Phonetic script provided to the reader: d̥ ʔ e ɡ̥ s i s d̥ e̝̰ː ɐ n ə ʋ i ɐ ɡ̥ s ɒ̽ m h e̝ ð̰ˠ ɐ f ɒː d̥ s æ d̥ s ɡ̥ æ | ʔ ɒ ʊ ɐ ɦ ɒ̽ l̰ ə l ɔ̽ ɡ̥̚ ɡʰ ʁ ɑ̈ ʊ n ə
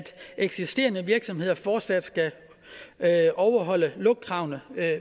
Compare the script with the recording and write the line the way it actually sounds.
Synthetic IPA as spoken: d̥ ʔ e ɡ̥ s i s d̥ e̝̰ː ɐ n ə ʋ i ɐ ɡ̥ s ɒ̽ m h e̝ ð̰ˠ ɐ f ɒː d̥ s æ d̥ s ɡ̥ æ | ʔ ɒ ʊ ɐ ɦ ɒ̽ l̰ ə l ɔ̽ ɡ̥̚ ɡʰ ʁ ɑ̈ ʊ n ə